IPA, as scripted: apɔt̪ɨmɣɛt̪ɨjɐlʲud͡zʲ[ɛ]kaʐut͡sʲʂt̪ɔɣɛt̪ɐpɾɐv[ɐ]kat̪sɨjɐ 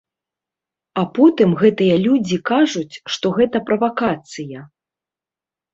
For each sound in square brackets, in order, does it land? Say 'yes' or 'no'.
no, no

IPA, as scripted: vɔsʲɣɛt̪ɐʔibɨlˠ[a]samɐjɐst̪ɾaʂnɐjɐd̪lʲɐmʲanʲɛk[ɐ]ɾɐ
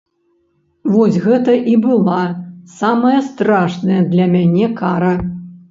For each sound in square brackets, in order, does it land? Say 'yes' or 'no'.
yes, no

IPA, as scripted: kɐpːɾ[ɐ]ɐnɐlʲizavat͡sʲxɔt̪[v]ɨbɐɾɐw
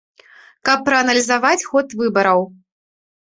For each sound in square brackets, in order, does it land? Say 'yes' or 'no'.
yes, yes

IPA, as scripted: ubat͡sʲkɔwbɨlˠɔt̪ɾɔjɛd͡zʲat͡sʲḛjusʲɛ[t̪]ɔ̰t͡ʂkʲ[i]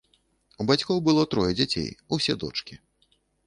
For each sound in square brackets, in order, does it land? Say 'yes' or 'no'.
no, yes

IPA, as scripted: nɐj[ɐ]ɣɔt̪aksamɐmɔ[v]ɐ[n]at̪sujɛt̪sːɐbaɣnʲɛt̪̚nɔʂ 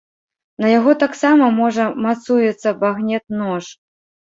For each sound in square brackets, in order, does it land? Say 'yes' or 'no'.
no, no, no

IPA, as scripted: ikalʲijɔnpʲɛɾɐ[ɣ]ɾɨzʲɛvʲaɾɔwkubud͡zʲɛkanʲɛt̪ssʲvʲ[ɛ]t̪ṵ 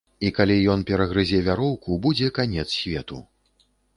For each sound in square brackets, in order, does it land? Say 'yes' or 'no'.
yes, yes

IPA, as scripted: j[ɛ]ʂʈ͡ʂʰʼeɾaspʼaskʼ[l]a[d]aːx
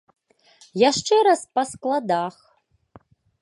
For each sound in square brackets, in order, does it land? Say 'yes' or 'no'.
no, yes, yes

